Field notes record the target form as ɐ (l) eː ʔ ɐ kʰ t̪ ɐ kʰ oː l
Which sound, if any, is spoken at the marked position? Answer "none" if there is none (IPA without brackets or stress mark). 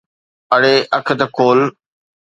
ɽ